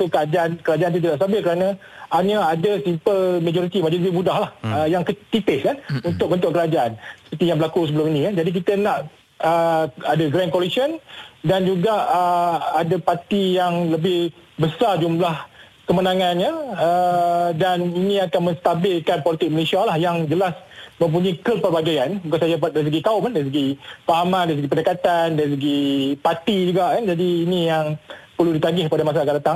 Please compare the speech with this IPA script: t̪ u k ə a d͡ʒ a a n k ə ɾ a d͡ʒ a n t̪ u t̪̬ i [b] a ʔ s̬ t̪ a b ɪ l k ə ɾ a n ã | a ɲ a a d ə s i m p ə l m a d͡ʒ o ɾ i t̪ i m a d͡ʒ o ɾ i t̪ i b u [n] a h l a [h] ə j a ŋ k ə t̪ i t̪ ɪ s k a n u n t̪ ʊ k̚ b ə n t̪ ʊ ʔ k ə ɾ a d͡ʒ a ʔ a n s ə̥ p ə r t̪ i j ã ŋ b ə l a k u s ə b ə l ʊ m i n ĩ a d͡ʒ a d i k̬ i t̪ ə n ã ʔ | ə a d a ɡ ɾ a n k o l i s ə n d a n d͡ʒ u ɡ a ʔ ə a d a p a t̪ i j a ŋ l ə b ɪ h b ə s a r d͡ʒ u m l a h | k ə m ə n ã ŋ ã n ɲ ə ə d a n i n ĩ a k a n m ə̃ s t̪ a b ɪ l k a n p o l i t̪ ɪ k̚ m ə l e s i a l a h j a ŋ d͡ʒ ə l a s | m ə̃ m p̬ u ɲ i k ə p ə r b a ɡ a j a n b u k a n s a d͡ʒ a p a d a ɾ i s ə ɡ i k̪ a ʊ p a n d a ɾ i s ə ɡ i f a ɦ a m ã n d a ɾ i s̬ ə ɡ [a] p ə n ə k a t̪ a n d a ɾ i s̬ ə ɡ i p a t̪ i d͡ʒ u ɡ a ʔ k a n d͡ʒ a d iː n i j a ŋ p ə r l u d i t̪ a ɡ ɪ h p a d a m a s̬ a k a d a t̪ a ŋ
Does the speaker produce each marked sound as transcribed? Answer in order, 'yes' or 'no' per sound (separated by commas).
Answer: no, no, yes, no